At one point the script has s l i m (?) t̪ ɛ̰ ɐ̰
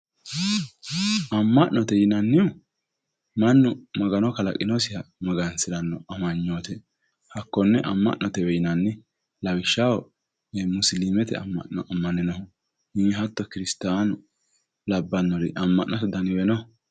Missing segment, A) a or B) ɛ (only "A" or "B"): B